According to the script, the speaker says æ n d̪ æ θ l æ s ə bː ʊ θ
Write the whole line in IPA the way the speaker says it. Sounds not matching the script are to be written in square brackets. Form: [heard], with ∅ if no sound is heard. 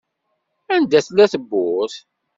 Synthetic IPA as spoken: æ n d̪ æ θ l æ [θ] ə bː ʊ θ